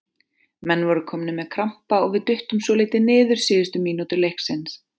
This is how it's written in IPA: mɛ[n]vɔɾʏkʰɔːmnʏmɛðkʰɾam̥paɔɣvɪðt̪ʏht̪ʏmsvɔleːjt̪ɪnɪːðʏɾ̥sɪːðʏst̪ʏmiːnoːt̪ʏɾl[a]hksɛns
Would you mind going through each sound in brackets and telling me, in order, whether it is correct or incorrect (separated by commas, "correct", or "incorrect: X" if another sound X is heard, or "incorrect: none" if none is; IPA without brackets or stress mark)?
incorrect: nː, incorrect: e